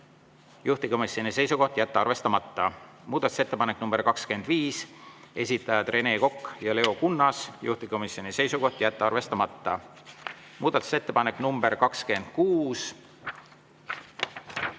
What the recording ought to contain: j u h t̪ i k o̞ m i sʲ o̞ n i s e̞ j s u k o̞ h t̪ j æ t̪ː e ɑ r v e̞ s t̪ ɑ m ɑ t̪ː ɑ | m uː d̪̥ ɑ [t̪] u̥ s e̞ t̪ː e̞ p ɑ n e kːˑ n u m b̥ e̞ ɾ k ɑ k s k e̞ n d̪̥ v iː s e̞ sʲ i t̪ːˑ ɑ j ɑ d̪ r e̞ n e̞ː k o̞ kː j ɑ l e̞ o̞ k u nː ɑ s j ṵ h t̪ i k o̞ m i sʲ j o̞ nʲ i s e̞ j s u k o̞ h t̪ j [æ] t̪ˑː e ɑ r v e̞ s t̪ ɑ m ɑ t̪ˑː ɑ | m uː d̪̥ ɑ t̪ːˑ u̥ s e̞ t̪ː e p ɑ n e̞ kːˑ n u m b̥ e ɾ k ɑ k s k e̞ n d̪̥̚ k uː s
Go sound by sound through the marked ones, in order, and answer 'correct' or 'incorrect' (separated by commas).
correct, correct